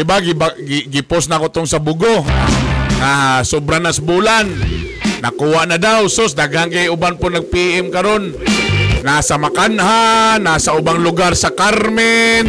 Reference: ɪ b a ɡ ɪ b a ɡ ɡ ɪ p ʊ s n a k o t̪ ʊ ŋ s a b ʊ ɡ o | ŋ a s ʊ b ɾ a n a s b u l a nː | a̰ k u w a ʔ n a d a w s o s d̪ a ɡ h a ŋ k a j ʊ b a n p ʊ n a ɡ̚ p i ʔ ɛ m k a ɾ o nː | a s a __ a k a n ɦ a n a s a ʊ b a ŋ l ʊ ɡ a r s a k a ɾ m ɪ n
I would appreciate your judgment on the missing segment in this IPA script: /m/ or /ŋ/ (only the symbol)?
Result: m